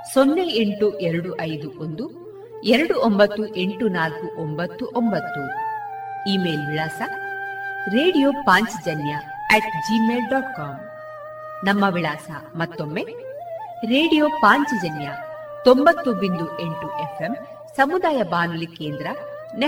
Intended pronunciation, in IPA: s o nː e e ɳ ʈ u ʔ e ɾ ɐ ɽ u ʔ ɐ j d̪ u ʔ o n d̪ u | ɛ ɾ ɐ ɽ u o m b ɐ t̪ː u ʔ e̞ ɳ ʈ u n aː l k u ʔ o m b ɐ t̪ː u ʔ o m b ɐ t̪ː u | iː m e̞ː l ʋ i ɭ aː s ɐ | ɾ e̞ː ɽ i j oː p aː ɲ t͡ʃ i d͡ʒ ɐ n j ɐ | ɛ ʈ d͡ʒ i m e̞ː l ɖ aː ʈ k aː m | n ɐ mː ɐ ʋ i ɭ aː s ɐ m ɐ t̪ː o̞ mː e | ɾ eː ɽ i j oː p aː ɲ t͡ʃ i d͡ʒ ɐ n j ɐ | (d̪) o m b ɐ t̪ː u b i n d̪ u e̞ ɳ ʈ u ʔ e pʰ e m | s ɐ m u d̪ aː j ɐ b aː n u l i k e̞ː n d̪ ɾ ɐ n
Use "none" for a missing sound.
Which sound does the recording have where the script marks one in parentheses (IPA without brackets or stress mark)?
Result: t̪